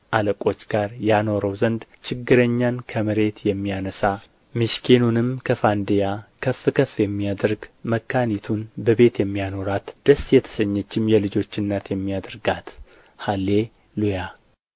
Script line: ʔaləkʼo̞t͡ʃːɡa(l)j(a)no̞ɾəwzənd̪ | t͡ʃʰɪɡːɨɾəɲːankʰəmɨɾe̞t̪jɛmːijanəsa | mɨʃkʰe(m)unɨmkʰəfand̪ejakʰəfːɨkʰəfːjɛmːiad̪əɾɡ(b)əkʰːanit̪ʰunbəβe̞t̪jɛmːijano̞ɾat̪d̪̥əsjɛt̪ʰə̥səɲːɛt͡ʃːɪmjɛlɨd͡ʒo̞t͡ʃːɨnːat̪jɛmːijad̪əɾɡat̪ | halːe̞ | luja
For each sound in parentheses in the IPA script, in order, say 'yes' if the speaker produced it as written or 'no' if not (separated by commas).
no, yes, no, no